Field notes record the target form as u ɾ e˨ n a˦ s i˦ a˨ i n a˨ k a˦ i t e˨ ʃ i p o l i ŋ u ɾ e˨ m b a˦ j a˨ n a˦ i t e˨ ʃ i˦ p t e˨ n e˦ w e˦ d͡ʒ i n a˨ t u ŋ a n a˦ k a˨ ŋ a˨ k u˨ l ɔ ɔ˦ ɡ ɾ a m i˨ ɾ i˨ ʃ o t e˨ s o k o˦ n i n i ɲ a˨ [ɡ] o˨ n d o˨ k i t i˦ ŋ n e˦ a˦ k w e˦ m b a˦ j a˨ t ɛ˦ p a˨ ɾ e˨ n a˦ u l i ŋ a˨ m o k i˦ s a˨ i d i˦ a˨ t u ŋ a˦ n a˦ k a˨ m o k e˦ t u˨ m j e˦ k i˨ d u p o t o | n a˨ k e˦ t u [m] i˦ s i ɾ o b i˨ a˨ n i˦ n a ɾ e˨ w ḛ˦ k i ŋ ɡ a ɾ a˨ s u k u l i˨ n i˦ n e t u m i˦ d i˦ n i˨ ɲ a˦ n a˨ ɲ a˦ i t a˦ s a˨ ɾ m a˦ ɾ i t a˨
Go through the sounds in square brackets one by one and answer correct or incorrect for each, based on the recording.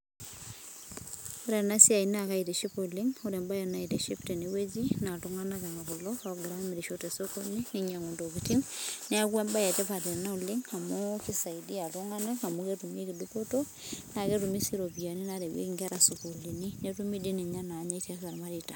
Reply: incorrect: ŋ, correct

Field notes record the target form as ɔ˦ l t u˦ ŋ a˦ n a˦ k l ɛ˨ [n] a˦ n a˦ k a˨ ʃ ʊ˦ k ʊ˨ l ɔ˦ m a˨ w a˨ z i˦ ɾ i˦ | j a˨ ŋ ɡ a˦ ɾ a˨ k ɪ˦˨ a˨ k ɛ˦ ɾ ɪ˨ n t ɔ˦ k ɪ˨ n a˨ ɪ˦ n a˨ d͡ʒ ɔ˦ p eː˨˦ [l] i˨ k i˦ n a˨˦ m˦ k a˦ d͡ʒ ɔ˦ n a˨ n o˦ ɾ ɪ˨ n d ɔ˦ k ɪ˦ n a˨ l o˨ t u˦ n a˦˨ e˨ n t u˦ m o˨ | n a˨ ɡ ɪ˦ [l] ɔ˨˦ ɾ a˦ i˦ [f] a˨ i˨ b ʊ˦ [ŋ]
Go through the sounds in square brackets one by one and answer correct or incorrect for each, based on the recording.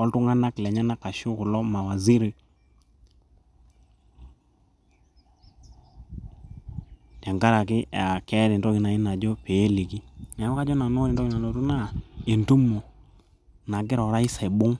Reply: incorrect: ɲ, correct, incorrect: ɾ, incorrect: s, correct

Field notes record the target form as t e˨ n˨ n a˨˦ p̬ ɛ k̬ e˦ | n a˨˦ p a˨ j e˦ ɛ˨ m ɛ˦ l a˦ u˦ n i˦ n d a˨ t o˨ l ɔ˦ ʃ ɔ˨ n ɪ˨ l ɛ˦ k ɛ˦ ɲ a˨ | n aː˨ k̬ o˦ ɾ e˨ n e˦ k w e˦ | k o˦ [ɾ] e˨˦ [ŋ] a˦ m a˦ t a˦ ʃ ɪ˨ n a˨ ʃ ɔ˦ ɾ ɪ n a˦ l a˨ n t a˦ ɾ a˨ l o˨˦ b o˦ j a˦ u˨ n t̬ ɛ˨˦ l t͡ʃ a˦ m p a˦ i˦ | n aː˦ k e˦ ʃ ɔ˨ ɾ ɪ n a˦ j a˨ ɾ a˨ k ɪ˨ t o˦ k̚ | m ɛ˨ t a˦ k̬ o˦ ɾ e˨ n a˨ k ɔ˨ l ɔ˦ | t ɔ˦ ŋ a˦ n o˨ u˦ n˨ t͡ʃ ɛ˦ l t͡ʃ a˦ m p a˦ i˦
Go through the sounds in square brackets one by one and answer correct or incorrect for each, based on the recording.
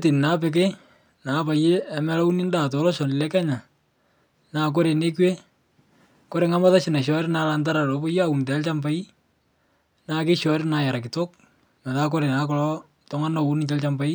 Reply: correct, correct

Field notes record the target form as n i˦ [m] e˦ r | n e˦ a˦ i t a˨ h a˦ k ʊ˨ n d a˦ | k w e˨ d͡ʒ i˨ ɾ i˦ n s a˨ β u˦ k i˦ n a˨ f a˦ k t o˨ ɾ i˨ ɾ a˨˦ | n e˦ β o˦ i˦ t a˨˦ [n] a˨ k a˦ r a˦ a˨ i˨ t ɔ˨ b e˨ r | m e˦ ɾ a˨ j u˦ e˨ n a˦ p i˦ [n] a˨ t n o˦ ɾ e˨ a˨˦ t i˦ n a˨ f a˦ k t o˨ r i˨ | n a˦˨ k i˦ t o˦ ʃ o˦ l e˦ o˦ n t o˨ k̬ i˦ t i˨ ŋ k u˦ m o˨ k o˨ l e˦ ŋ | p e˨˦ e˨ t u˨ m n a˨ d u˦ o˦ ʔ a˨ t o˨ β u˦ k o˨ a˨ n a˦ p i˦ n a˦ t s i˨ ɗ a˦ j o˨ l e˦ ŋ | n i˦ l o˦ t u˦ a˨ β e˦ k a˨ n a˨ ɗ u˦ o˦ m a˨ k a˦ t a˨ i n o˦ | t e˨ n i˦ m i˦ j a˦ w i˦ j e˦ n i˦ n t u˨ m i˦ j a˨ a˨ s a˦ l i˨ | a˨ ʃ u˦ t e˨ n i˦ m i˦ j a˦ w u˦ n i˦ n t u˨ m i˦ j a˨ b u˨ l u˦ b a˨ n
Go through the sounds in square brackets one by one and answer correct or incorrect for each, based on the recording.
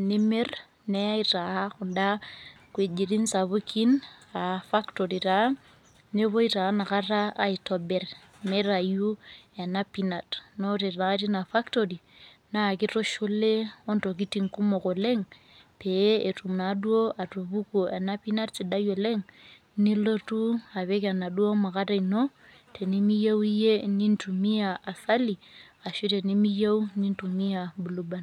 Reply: correct, correct, correct

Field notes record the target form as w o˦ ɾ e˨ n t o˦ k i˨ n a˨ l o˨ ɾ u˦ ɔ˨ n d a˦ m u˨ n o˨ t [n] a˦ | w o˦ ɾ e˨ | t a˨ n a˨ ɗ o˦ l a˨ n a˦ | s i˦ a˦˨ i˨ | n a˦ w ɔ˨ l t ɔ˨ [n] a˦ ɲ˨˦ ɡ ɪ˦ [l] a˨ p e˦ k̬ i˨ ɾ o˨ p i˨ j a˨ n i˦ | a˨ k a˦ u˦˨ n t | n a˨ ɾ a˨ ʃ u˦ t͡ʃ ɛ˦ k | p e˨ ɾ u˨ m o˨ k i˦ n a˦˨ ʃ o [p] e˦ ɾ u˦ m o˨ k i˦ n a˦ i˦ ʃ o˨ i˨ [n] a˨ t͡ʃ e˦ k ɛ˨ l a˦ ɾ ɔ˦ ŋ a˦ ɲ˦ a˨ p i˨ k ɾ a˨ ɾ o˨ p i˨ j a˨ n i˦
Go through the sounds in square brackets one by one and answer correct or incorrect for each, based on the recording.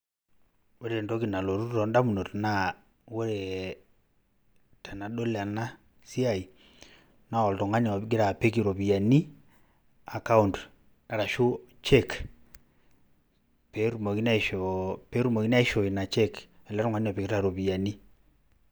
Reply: correct, incorrect: ŋ, incorrect: ɾ, correct, correct

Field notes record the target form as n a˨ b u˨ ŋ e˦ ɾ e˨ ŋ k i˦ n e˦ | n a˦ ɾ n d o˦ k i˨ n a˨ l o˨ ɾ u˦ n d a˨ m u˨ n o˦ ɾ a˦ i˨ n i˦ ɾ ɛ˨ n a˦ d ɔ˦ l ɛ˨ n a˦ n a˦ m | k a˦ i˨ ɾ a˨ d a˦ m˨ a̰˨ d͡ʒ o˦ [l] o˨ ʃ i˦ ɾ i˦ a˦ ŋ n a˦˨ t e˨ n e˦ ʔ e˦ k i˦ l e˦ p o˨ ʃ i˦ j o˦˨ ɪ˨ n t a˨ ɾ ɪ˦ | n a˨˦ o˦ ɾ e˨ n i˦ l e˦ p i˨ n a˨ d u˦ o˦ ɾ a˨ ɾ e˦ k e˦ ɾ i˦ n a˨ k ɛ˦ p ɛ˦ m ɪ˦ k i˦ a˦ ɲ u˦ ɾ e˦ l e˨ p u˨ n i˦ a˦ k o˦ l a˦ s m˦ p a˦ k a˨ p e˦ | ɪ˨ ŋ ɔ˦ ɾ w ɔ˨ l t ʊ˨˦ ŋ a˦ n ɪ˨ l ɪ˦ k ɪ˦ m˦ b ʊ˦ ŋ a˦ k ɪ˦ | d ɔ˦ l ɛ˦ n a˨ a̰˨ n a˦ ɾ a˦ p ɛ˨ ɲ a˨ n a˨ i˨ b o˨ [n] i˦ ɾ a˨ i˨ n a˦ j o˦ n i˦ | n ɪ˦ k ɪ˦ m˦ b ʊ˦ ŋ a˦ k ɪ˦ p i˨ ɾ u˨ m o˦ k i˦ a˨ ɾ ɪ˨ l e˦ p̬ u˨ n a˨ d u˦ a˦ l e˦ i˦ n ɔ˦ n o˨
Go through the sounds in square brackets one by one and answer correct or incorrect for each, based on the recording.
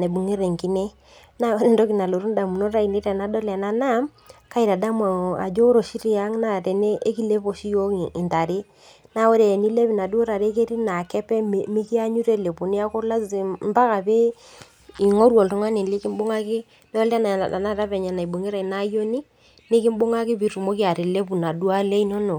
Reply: incorrect: ɾ, incorrect: ŋ

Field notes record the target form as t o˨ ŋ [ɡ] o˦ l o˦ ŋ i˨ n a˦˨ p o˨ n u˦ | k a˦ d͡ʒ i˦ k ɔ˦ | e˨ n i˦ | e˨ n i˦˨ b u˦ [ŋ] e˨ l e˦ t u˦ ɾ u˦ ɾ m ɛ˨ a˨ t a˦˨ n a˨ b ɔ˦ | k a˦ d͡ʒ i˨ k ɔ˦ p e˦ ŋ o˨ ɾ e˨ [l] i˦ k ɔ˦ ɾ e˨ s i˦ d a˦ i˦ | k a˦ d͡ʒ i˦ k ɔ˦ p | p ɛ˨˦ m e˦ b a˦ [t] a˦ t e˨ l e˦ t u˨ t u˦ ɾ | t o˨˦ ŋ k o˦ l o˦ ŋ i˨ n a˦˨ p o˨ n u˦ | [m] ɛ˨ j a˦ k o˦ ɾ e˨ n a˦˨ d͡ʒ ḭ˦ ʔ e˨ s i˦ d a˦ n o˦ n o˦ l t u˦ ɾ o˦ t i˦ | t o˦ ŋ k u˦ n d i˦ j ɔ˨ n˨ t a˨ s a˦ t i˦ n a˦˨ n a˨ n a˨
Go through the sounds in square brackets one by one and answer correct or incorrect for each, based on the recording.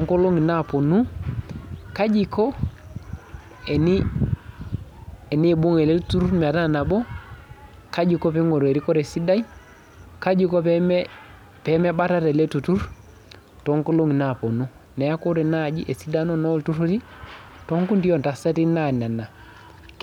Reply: incorrect: k, correct, incorrect: ɾ, correct, incorrect: n

